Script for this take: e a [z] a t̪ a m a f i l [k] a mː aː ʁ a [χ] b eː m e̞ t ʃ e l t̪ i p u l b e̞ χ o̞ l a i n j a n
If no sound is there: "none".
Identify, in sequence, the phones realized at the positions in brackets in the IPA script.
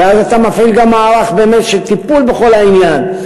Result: z, ɡ, χ

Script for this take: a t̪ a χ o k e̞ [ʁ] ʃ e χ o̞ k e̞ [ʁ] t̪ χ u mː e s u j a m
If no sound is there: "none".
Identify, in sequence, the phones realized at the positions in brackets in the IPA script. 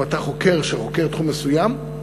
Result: ʁ, ʁ

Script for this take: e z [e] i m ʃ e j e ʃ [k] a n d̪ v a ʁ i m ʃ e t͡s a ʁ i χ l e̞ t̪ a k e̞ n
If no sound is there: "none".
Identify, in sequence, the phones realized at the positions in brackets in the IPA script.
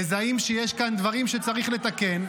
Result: a, k

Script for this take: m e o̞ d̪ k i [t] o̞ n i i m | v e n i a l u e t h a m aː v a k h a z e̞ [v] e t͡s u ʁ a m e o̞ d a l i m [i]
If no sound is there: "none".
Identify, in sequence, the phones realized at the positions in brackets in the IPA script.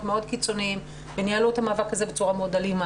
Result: t͡s, b, a

